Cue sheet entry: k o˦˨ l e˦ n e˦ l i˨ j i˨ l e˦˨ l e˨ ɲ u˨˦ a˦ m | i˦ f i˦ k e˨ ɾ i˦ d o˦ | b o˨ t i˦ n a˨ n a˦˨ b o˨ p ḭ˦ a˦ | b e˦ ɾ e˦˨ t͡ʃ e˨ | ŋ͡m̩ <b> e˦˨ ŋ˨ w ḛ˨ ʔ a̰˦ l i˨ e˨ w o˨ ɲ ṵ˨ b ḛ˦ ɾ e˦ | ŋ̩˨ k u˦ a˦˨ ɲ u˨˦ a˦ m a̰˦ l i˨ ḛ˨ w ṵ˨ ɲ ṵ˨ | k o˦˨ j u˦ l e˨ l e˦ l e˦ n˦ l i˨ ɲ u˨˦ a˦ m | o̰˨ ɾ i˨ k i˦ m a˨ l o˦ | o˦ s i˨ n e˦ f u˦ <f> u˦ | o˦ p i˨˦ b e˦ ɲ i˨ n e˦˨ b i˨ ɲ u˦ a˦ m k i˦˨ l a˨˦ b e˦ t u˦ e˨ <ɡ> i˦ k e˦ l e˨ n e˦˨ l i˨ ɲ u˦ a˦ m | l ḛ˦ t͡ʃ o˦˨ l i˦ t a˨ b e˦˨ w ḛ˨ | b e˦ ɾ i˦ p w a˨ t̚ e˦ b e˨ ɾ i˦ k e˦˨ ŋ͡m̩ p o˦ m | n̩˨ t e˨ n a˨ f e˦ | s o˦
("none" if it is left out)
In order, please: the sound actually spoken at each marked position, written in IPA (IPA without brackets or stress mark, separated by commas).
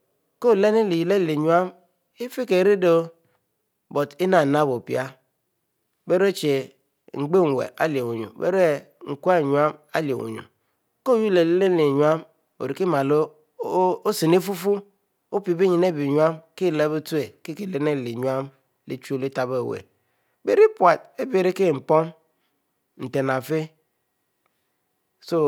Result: ɡ͡b, f, k